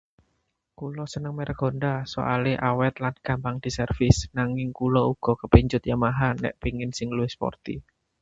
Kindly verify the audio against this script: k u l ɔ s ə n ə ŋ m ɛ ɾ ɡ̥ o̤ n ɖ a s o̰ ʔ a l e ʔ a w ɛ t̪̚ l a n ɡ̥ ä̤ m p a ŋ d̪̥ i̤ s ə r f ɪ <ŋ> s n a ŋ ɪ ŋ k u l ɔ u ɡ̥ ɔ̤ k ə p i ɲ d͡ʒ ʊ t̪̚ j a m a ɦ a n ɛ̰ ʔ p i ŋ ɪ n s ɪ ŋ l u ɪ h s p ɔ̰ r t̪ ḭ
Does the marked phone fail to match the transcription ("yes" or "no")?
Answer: yes